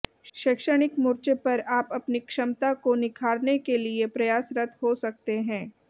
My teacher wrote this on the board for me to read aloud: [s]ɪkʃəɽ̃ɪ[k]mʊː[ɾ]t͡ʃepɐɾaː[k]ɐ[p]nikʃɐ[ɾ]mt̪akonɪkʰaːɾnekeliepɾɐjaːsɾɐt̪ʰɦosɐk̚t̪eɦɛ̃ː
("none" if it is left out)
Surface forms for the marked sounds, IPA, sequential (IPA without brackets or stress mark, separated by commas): ʃ, k, ɾ, p, p, none